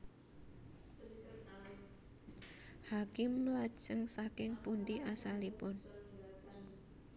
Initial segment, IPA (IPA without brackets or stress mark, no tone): h